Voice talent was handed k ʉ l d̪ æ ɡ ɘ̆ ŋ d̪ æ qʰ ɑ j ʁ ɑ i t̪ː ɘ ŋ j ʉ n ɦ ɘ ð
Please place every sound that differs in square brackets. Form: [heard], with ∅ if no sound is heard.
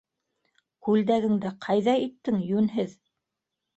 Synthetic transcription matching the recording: k ʉ l d̪ æ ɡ ɘ̆ ŋ d̪ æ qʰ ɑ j [ð] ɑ i t̪ː ɘ ŋ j ʉ n ɦ ɘ ð